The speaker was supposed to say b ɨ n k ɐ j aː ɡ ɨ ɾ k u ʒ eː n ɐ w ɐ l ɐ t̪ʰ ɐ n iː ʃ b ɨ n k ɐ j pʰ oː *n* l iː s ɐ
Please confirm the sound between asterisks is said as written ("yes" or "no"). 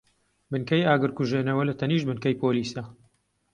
no